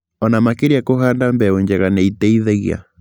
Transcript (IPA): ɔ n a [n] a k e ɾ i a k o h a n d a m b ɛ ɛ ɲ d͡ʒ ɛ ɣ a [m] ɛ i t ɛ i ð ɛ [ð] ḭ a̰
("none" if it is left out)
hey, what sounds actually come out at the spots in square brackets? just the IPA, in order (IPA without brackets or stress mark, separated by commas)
m, n, ɣ